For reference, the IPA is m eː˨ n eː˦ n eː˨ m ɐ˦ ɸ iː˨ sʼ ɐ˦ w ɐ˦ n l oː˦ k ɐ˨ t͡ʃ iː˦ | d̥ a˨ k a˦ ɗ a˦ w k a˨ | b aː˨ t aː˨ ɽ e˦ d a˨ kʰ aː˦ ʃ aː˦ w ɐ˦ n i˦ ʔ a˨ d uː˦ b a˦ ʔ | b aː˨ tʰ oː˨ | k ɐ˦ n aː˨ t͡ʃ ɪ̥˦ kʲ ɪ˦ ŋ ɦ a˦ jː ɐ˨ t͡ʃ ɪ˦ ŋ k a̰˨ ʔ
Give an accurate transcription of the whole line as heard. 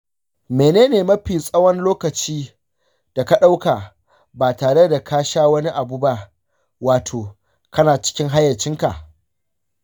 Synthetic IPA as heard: m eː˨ n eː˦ n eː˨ m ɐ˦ ɸ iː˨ sʼ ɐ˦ w ɐ˦ n l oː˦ k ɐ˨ t͡ʃ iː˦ | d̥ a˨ k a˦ ɗ a˦ w k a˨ | b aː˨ t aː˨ ɽ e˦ d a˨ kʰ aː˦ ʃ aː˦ w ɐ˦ n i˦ ʔ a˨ b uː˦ b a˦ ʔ | w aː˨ tʰ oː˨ | k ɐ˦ n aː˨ t͡ʃ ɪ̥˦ kʲ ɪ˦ ŋ ɦ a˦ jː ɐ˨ t͡ʃ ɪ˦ ŋ k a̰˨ ʔ